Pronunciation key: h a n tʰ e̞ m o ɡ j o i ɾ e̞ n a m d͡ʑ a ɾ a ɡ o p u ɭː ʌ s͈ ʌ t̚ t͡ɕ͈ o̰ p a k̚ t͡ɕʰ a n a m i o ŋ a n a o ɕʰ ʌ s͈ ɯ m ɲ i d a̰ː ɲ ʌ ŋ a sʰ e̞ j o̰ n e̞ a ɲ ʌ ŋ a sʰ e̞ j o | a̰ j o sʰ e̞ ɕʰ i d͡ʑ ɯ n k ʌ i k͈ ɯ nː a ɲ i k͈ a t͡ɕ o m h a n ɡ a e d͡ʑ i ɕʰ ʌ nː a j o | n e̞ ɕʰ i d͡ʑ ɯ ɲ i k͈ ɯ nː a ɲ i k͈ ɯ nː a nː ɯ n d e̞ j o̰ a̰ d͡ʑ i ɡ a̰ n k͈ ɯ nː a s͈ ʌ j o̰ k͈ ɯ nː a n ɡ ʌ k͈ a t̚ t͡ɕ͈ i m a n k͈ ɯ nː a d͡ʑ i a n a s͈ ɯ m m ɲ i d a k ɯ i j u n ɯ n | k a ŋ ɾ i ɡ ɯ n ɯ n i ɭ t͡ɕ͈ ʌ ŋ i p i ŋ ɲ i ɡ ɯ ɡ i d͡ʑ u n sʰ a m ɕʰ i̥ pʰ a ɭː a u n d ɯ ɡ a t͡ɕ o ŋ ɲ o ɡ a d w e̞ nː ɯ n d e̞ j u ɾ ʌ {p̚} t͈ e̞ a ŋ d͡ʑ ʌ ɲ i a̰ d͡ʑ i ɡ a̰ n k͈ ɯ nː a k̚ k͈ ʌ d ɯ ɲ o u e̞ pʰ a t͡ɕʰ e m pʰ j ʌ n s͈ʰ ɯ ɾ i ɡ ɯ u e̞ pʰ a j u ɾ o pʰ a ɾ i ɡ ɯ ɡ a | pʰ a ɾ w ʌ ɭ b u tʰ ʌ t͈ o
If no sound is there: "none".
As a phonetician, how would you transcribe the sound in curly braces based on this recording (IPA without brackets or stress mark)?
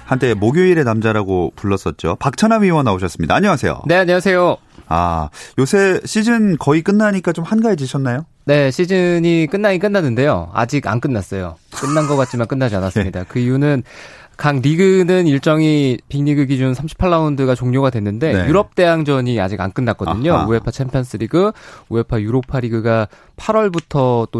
p̚